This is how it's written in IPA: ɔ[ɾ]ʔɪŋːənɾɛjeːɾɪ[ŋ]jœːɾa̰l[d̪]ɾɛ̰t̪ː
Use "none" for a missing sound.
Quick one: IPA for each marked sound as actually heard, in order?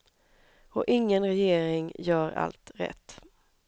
none, ŋ, t̪

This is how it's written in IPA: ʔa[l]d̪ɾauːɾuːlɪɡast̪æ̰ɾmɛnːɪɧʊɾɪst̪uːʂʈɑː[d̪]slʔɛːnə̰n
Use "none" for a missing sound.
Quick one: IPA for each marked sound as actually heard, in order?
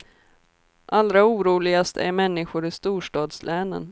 l, d̪

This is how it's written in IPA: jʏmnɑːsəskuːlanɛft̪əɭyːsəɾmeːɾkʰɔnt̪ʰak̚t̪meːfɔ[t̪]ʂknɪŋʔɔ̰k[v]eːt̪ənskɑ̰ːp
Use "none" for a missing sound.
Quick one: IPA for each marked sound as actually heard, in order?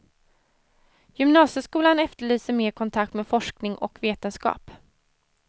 none, v

